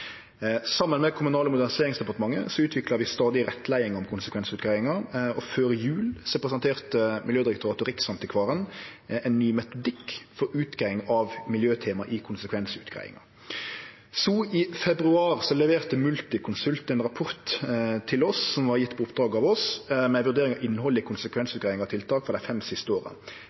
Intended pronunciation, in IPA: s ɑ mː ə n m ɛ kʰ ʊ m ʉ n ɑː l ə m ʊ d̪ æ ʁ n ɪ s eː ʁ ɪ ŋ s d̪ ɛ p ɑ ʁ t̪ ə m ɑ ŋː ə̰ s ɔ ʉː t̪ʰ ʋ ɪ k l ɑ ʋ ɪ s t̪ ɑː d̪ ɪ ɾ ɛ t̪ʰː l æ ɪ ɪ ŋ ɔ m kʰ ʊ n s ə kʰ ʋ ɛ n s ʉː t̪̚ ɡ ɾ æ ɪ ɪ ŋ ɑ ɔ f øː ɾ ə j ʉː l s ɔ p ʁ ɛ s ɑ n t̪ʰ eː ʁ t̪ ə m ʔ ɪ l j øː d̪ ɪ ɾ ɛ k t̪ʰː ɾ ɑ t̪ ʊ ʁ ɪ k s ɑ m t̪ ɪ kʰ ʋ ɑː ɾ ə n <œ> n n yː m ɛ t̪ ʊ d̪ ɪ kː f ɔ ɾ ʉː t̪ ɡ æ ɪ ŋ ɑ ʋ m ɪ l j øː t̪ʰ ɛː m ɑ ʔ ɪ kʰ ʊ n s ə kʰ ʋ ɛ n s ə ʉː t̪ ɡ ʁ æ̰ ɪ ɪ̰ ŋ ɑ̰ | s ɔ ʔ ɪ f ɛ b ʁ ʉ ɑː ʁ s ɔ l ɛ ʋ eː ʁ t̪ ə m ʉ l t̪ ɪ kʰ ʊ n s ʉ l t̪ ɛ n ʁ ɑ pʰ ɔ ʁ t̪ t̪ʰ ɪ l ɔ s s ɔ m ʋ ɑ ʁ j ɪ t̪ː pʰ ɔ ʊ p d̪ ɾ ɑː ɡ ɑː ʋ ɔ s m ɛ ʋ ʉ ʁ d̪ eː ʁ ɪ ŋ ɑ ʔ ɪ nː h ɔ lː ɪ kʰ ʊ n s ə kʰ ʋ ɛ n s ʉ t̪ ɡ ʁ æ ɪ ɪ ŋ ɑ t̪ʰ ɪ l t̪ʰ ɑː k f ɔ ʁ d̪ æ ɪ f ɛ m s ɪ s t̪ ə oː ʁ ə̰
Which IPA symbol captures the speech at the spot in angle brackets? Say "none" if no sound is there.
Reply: ɛ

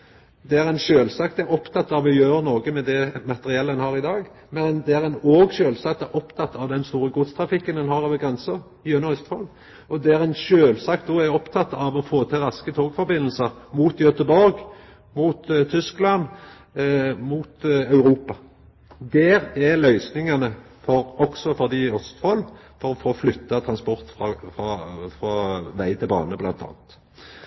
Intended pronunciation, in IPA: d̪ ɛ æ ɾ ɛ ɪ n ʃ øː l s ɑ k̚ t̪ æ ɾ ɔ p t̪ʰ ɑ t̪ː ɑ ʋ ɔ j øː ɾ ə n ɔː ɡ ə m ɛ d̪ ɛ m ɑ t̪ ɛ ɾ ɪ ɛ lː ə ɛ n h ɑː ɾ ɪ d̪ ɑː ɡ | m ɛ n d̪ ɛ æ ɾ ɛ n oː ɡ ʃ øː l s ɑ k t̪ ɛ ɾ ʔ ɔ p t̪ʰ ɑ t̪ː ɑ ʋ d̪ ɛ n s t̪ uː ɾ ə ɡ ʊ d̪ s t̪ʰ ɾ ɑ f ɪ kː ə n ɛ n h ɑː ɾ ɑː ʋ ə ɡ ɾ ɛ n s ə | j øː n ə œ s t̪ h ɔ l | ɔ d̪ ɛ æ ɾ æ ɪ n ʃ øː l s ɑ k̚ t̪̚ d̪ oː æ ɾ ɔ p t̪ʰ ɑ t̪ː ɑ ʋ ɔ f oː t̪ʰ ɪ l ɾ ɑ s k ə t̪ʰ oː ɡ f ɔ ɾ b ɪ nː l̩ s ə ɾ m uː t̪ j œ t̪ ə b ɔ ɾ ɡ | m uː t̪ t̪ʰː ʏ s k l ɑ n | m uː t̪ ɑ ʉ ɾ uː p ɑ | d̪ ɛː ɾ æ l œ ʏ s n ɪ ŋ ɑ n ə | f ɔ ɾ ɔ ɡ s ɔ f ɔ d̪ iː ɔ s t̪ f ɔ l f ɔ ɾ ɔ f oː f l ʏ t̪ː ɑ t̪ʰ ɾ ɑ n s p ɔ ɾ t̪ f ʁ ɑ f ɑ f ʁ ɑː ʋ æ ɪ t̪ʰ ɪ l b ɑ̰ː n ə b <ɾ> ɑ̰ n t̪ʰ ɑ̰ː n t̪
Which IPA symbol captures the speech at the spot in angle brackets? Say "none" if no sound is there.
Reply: l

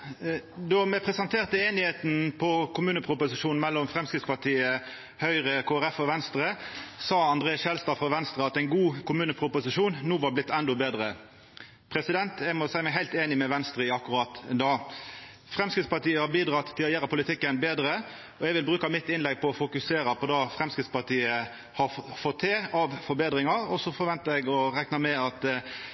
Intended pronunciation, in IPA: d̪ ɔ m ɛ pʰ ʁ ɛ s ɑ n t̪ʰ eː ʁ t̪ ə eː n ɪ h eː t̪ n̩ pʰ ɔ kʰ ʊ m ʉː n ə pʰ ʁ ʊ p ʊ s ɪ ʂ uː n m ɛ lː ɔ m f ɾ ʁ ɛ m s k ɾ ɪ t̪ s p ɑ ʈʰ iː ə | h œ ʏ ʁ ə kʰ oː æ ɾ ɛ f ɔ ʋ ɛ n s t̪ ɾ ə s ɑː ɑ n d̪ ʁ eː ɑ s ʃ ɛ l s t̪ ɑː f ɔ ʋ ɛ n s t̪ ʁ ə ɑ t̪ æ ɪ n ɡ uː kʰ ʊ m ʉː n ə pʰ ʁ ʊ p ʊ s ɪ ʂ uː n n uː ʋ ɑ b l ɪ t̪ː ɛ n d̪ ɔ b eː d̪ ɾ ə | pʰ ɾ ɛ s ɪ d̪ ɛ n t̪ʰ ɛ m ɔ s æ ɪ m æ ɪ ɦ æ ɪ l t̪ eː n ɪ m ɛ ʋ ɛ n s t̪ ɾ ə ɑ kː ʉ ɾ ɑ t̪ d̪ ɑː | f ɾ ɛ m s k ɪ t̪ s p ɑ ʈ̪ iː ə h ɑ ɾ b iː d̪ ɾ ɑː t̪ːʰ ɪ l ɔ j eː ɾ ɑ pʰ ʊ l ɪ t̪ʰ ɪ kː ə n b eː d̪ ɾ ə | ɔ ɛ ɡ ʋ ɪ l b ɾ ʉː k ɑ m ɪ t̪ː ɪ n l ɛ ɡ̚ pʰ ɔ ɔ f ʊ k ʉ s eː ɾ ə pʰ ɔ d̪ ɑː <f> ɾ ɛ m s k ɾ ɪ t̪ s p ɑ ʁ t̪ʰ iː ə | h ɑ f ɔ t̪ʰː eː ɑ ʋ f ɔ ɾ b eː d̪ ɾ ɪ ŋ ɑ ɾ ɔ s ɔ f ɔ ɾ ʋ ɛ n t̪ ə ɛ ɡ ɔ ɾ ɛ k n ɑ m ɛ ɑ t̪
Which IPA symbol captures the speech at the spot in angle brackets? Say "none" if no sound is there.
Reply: f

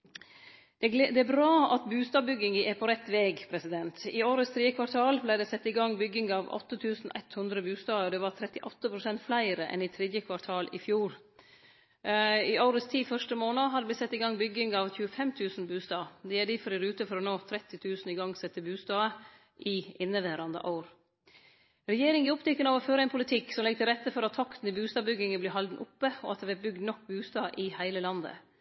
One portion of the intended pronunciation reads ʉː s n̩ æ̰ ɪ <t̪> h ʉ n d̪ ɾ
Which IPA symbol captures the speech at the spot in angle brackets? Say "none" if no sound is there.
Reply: t̪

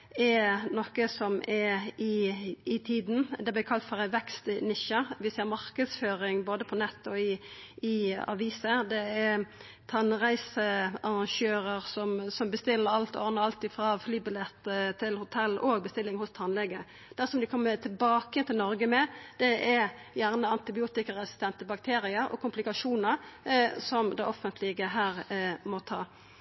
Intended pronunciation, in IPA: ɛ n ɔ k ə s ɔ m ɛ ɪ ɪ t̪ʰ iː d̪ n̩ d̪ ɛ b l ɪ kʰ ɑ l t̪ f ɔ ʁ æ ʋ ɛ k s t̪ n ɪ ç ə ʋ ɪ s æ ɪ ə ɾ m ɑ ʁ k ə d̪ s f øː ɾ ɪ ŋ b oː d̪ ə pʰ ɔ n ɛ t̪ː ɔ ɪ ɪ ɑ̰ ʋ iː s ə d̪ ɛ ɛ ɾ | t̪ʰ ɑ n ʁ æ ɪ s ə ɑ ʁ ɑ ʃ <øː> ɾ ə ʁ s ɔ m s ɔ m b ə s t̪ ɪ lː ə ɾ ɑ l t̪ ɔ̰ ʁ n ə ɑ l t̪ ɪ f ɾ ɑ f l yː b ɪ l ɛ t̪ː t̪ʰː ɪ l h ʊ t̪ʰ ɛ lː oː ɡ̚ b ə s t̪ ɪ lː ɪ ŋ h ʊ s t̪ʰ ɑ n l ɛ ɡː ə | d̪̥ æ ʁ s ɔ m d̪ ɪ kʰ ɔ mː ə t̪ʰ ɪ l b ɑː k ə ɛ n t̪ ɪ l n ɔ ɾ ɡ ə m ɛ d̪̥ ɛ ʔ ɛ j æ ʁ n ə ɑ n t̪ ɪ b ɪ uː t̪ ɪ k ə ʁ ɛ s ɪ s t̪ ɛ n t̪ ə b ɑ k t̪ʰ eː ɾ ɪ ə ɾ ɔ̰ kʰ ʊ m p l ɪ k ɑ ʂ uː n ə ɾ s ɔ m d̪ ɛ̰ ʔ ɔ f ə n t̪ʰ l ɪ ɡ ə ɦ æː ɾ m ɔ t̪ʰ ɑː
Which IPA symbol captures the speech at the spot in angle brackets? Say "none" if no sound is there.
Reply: øː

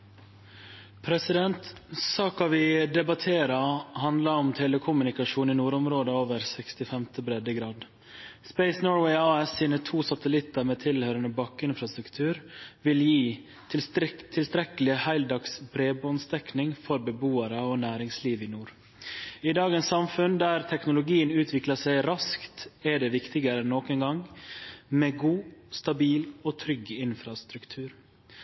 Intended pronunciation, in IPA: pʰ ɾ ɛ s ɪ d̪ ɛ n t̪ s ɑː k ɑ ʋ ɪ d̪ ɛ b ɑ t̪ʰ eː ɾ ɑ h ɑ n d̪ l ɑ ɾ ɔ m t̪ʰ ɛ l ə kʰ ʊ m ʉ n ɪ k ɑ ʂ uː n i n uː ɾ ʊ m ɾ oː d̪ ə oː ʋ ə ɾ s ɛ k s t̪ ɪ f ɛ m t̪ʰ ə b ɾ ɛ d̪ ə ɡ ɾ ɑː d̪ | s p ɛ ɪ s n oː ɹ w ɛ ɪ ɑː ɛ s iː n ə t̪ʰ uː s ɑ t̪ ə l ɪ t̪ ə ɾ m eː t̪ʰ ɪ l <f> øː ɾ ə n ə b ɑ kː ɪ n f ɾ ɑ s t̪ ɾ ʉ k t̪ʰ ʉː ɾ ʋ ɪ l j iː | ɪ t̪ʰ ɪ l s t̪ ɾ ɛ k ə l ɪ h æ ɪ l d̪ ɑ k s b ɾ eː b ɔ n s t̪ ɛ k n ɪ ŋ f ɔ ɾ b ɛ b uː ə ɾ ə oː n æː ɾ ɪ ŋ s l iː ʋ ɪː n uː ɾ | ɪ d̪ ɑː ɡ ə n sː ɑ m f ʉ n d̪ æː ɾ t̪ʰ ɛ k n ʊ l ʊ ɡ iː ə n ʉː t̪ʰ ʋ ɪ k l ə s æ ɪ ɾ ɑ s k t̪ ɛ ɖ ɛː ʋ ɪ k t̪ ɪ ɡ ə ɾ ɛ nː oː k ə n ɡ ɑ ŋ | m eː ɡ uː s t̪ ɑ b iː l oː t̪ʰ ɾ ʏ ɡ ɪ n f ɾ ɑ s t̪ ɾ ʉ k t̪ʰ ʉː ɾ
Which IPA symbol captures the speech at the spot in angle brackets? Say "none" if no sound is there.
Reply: h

